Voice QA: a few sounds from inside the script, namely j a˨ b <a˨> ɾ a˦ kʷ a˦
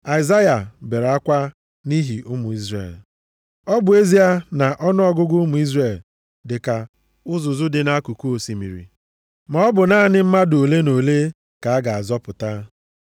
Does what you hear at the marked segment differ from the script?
yes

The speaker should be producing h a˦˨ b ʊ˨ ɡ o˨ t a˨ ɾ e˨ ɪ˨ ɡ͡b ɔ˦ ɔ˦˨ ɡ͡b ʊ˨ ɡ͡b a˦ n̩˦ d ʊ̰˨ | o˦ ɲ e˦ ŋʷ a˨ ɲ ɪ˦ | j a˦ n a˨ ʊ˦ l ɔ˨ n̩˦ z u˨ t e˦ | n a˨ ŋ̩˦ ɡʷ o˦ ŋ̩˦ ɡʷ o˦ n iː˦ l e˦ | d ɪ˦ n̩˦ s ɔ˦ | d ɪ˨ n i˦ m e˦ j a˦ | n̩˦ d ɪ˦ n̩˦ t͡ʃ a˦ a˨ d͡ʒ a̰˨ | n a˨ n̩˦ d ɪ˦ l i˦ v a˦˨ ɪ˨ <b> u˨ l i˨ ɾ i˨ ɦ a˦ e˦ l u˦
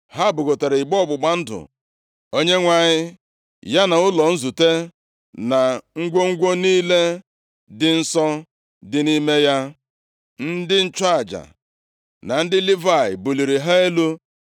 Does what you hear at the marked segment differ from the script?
no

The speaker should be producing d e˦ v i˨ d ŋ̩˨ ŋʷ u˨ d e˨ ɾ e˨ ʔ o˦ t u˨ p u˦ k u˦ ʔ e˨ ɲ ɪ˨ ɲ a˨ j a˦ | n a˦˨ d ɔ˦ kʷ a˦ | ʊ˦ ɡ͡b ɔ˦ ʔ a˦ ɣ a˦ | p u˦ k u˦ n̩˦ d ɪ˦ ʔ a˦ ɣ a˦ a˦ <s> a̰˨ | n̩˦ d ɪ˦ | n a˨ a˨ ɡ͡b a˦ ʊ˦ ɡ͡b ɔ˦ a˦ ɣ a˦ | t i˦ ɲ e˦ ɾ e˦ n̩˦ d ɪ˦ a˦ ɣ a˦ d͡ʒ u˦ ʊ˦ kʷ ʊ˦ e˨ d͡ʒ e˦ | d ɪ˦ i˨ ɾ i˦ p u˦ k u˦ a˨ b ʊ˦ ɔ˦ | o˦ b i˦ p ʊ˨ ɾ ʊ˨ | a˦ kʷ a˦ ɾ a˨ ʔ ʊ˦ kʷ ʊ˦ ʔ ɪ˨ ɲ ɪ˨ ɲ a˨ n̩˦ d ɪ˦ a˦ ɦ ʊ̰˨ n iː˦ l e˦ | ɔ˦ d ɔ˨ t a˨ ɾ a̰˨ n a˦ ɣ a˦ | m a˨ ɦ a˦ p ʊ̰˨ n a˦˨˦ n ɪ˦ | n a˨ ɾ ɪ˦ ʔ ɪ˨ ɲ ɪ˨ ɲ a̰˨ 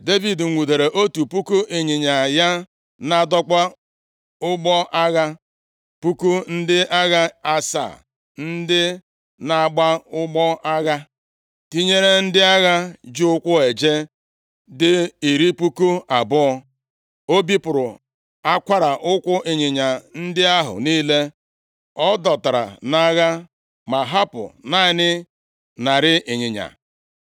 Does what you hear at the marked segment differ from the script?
no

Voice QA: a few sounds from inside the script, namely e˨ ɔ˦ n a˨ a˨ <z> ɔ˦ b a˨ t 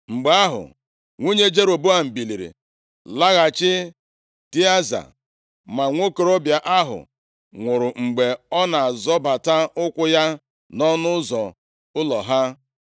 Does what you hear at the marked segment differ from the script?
no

